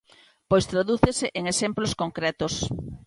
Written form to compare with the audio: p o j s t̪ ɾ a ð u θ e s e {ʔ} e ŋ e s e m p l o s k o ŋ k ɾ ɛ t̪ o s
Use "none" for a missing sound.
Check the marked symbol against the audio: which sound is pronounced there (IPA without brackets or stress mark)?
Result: ʔ